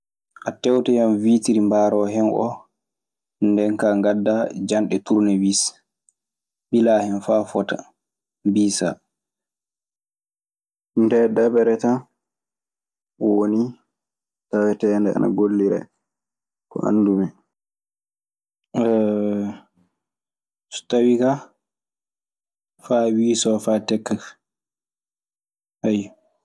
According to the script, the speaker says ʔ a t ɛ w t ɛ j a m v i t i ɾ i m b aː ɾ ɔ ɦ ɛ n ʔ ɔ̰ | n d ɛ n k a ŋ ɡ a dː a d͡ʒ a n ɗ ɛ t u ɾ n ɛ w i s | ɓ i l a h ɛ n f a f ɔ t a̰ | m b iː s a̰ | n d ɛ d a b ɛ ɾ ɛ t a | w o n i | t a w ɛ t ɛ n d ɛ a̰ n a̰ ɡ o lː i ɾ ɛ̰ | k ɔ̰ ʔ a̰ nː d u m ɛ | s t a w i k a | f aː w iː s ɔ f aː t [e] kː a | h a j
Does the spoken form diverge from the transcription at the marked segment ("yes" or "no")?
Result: yes